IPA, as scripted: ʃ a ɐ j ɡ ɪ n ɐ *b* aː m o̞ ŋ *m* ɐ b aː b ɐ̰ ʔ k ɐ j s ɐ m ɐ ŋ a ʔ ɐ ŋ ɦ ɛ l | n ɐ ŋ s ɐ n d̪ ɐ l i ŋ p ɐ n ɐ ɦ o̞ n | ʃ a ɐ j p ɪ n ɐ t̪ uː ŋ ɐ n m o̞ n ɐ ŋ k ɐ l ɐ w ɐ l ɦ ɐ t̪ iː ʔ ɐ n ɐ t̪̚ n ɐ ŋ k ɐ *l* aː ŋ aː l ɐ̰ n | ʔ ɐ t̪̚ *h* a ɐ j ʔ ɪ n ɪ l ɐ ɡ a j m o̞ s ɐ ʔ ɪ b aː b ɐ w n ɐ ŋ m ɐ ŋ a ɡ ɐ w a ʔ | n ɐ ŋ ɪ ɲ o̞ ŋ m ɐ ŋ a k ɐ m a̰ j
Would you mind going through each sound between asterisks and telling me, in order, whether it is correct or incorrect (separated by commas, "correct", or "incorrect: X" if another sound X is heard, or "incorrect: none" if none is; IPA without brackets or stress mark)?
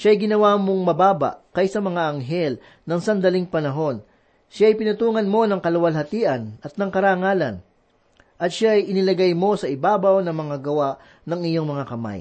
incorrect: w, correct, incorrect: ɾ, incorrect: ʃ